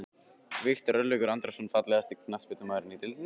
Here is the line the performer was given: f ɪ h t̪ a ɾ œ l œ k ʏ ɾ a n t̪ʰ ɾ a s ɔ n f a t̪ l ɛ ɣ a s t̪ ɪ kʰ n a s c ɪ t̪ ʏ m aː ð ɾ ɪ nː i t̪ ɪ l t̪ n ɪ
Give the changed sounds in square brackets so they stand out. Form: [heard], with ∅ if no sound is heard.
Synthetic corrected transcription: [v] ɪ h t̪ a ɾ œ l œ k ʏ ɾ a n [t̪] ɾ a s ɔ n f a t̪ l ɛ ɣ a s t̪ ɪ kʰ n a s [p] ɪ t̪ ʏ m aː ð ɾ ɪ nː i t̪ ɪ l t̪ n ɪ